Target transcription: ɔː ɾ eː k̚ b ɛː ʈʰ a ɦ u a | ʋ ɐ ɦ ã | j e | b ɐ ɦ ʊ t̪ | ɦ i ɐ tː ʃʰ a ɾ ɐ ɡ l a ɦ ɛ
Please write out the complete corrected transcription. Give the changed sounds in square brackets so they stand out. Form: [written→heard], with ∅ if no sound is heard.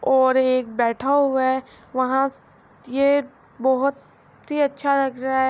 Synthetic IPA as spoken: ɔː ɾ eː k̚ b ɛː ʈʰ a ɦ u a | ʋ ɐ ɦ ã | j e | b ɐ ɦ ʊ t̪ | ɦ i ɐ tː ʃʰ a ɾ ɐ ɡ [l→ɾ] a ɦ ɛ